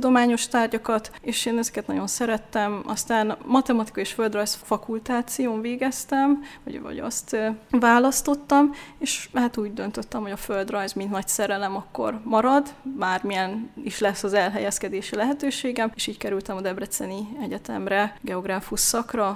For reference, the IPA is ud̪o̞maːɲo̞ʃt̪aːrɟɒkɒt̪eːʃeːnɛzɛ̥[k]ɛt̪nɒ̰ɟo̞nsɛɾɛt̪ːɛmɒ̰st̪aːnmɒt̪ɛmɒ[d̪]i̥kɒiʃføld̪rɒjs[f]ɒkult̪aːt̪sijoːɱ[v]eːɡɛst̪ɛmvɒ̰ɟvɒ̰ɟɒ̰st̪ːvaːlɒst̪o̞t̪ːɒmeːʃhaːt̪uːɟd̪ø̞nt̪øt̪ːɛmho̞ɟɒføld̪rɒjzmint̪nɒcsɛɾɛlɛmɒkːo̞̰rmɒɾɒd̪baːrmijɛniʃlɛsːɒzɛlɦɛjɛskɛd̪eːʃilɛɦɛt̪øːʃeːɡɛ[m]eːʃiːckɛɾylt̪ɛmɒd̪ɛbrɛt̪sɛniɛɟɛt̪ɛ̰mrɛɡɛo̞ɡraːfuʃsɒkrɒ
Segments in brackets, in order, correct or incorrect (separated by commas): correct, incorrect, correct, correct, correct